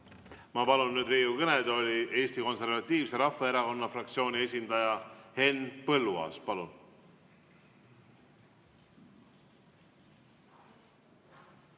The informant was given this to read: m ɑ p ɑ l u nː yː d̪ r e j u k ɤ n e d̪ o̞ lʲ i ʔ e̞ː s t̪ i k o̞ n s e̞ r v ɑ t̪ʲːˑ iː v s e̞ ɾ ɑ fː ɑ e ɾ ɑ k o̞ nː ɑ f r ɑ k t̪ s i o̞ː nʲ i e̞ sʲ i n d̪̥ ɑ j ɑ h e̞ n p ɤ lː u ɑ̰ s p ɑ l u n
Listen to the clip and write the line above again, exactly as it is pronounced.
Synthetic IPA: m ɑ p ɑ l u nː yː d̪ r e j u k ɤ n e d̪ o̞ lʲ i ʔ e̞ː s t̪ i k o̞ n s e̞ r v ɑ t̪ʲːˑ iː v s e̞ ɾ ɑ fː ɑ e ɾ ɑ k o̞ nː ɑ f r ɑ k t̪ s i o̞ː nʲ i e̞ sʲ i n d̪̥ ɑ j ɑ h e̞ n p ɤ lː u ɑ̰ s p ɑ l u n